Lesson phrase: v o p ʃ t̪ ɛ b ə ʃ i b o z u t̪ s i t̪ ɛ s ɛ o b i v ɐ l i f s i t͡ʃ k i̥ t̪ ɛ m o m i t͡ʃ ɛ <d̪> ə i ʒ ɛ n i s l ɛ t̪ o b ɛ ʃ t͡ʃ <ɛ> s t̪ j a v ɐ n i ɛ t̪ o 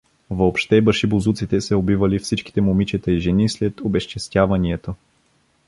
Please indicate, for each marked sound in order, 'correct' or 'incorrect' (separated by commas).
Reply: incorrect, correct